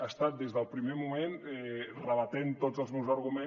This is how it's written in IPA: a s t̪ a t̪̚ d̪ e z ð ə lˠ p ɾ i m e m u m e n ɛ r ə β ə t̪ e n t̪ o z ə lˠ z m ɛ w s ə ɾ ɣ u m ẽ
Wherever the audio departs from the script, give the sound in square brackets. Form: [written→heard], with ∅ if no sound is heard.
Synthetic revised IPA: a s t̪ a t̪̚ d̪ e z ð ə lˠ p ɾ i m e m u m e n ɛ r ə β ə t̪ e n t̪ o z ə lˠ z m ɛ w [s→z] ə ɾ ɣ u m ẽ